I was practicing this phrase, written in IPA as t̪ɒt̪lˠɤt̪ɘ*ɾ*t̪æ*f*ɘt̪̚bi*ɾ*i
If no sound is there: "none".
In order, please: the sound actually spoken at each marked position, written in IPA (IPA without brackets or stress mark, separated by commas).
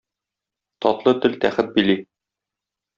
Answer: l, χ, l